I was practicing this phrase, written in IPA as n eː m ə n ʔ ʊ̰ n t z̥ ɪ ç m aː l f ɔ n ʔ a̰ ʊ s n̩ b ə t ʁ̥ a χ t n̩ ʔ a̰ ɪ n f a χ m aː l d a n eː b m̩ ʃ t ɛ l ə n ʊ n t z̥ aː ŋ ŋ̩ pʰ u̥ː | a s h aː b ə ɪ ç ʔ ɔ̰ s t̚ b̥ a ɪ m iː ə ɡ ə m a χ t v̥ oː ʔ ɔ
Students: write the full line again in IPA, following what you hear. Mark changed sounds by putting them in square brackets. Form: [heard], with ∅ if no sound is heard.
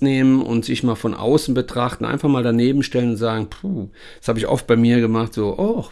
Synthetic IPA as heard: n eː m ə n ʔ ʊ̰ n t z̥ ɪ ç m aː l f ɔ n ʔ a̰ ʊ s n̩ b ə t ʁ̥ a χ t n̩ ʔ a̰ ɪ n f a χ m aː l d a n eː b m̩ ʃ t ɛ l ə n ʊ n t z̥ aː [ɡ] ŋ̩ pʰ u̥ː | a s h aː b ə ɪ ç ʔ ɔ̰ [f] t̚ b̥ a ɪ m iː [ɐ] ɡ ə m a χ t [z̥] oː ʔ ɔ